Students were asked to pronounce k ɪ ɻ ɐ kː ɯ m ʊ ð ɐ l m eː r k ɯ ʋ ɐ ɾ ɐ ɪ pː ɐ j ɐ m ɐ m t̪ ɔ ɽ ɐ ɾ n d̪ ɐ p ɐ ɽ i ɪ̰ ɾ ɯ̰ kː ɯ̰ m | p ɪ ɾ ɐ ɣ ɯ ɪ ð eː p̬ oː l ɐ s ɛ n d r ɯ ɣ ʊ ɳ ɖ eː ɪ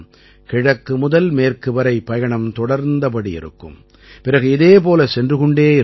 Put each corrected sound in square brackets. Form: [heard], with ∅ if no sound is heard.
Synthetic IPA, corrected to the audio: k ɪ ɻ ɐ kː ɯ m ʊ ð ɐ l m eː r k ɯ ʋ ɐ ɾ ɐ ɪ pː ɐ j ɐ [ɳ] ɐ m t̪ ɔ ɽ ɐ ɾ n d̪ ɐ p ɐ ɽ i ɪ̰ ɾ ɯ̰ kː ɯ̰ m | p ɪ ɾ ɐ ɣ ɯ ɪ ð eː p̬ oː l ɐ s ɛ n d r ɯ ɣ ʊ ɳ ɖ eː ɪ